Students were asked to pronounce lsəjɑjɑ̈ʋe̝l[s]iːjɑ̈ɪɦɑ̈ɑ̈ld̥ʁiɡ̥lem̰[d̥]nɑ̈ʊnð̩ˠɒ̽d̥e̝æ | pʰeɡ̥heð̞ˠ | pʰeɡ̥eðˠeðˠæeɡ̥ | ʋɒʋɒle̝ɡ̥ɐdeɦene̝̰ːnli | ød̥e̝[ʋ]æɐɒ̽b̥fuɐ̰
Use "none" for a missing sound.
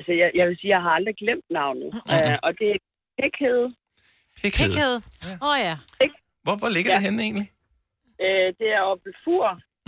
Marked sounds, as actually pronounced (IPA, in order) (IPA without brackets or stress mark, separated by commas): s, d̥, none